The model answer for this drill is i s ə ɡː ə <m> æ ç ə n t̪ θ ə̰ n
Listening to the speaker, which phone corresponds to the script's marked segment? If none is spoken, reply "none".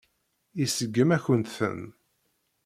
m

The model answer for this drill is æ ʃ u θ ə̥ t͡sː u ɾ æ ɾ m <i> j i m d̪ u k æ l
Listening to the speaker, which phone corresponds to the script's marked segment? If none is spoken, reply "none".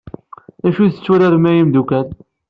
æ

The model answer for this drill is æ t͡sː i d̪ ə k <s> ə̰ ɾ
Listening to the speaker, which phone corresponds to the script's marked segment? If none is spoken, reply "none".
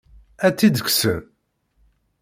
s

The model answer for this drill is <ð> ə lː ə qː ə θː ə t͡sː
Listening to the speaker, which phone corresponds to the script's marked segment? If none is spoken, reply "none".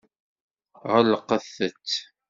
ʁ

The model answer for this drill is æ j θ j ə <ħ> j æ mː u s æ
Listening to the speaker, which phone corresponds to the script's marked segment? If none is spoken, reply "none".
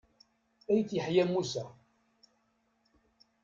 ħ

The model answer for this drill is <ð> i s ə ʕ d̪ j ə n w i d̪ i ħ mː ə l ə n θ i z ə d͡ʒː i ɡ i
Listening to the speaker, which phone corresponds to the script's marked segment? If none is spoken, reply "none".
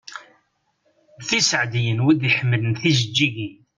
θ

